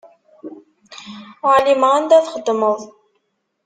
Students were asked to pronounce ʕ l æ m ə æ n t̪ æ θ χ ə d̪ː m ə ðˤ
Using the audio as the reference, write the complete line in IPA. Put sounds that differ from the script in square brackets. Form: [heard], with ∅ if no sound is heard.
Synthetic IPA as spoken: ʕ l [i] m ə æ n [d̪] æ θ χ ə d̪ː m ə ðˤ